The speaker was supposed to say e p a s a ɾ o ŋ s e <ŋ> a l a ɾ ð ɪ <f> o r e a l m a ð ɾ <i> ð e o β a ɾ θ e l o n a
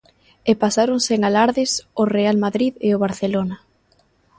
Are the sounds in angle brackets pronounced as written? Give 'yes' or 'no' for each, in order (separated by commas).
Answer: yes, no, yes